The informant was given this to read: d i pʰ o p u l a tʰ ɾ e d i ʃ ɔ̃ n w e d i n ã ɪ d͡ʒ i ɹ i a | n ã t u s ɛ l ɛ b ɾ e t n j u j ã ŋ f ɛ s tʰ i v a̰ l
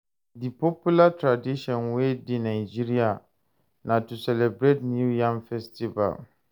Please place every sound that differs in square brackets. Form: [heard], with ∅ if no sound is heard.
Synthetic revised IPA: d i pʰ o p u l a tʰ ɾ [a] d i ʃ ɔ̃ n w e d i n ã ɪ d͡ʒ i [ɾ] i a | n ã t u s ɛ l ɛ b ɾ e t n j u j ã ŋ f ɛ s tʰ i v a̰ l